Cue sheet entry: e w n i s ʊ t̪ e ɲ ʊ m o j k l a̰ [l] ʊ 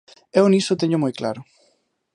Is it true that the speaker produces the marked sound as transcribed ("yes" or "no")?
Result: no